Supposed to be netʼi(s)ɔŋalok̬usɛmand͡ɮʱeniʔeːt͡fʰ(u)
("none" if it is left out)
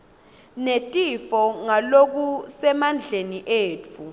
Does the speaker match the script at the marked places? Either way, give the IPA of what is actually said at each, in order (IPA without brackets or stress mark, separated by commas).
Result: f, u